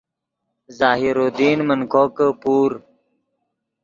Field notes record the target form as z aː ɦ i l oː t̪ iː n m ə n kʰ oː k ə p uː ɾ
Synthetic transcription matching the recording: z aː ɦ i ɾ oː d̪ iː n m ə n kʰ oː k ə p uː ɾ